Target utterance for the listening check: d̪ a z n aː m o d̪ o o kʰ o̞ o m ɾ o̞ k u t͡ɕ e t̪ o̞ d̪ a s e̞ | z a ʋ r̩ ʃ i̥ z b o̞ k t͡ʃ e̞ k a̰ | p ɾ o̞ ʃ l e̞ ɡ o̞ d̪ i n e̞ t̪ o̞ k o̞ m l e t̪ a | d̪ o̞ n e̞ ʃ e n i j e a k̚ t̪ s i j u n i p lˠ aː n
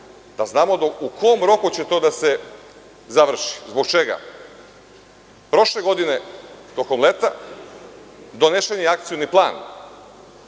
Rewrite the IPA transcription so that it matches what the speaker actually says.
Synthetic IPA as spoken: d̪ a z n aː m o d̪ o u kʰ o̞ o m ɾ o̞ k u t͡ɕ e t̪ o̞ d̪ a s e̞ | z a ʋ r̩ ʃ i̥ z b o̞ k t͡ʃ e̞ ɡ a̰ | p ɾ o̞ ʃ l e̞ ɡ o̞ d̪ i n e̞ t̪ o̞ k o̞ m l e t̪ a | d̪ o̞ n e̞ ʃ e n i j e a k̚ t̪ s i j u n i p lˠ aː n